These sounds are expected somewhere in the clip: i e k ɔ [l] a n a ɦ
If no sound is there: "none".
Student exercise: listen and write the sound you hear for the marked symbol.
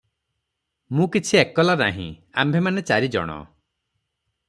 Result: l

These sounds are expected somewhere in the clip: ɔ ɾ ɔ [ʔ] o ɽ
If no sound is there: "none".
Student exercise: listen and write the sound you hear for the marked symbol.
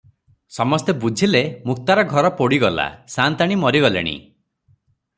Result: p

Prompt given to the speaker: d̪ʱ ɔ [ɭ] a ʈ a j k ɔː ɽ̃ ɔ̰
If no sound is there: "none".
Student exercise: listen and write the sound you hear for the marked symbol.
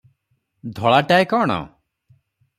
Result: ɭ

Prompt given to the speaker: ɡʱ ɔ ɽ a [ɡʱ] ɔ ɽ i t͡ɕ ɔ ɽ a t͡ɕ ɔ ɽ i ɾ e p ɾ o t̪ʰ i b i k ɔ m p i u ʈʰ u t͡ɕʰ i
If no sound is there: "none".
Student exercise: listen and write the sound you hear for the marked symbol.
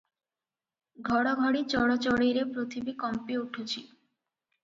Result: ɡʱ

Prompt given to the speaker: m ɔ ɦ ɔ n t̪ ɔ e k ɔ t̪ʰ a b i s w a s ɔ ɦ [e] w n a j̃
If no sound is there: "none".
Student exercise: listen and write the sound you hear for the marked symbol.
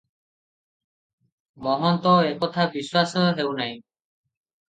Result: e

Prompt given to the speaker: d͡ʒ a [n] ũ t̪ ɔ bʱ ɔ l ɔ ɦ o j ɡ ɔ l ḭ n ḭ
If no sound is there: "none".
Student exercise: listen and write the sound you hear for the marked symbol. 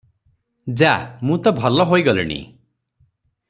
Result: m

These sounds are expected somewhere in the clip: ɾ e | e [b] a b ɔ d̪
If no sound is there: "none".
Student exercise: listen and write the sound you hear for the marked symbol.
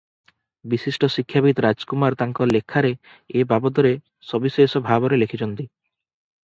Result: b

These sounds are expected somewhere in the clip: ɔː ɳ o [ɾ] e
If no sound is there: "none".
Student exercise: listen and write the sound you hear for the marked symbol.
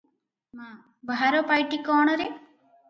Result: ɾ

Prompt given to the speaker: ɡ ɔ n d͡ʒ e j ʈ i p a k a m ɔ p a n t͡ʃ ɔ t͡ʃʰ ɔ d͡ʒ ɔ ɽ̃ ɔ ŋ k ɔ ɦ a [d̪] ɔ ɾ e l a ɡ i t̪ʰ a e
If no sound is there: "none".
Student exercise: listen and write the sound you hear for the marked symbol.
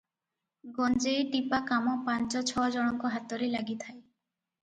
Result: t̪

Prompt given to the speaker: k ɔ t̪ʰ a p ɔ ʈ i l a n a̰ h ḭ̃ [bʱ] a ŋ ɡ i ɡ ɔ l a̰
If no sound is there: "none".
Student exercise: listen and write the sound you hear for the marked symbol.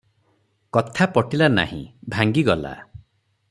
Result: bʱ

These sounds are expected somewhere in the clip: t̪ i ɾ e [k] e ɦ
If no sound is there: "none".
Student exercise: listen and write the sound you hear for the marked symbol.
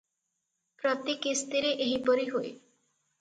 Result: ʔ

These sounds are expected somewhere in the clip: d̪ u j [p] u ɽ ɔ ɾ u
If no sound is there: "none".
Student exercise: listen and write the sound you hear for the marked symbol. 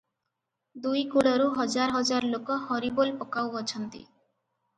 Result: k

